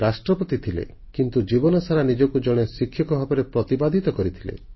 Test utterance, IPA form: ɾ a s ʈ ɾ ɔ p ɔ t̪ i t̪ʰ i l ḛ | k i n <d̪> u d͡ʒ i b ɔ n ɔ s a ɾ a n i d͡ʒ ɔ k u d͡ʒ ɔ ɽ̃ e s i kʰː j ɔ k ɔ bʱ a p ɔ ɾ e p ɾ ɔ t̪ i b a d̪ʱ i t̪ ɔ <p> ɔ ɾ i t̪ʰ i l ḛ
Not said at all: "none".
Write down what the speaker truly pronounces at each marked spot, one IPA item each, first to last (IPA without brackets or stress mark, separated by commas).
t̪, k